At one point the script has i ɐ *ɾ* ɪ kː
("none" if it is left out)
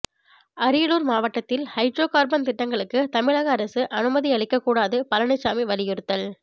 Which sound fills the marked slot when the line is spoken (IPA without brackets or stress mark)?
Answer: ɭ